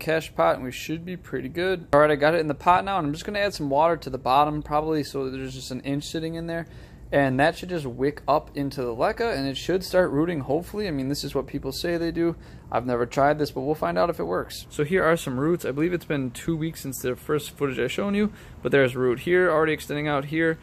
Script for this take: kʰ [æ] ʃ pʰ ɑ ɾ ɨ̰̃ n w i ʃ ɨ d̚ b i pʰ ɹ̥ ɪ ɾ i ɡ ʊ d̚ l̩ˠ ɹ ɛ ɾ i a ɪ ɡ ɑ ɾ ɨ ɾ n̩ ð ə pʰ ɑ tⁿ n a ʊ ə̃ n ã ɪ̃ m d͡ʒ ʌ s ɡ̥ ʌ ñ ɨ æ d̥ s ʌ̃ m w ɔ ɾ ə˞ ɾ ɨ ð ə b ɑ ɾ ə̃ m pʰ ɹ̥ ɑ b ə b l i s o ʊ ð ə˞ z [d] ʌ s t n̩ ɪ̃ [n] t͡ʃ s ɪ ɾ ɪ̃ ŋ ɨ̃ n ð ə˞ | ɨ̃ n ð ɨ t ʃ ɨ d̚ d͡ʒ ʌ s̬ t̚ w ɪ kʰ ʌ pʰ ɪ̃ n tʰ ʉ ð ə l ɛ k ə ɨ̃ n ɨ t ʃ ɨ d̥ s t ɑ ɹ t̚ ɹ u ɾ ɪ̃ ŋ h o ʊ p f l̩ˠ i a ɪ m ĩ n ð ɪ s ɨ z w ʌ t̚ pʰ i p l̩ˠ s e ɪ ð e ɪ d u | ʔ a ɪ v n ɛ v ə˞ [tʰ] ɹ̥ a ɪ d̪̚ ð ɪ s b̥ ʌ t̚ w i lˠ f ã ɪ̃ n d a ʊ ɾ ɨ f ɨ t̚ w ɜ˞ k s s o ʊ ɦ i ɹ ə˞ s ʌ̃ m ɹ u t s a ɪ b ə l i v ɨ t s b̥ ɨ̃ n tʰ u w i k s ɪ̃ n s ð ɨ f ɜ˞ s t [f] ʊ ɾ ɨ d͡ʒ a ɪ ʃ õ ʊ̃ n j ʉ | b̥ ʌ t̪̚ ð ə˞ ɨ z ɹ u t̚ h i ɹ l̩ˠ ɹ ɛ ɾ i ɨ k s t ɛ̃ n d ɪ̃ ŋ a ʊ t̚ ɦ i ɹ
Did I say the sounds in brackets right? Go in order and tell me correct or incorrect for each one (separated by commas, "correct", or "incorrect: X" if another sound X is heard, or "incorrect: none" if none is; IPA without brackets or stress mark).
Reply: correct, incorrect: d͡ʒ, correct, correct, correct